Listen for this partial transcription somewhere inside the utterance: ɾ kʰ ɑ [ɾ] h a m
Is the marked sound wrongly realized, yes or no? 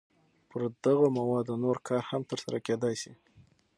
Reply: no